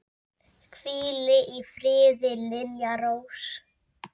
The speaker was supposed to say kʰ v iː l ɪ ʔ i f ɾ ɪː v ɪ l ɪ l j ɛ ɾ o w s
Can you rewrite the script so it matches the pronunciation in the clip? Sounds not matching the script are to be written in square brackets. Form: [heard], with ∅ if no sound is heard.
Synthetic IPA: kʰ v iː l ɪ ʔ i f ɾ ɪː [ð] ɪ l ɪ l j [a] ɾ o w s